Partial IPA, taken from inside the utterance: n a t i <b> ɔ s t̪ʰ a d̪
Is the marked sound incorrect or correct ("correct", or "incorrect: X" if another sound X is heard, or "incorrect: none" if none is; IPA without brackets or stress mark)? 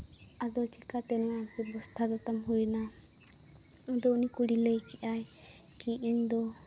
correct